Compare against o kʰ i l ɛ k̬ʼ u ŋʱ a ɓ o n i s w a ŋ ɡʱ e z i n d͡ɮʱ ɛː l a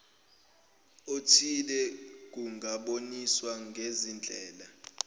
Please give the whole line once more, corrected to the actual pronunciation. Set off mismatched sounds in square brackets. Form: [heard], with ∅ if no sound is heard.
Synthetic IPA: o [tʰ] i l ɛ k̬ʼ u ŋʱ a ɓ o n i s w a ŋ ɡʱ e z i n d͡ɮʱ ɛː l a